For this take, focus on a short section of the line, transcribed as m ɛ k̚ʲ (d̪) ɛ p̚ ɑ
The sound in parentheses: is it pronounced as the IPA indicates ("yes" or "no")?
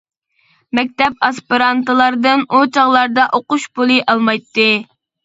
no